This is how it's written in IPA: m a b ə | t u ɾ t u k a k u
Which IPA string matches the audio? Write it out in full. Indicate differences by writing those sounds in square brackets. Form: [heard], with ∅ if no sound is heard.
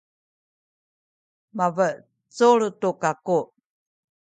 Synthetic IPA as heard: m a [v] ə | [t͡s] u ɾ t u k a k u